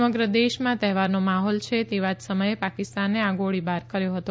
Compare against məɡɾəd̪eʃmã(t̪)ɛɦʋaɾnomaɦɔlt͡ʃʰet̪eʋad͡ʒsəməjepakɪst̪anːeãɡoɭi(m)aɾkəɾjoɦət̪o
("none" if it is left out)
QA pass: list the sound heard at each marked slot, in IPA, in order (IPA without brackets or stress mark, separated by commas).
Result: t̪, b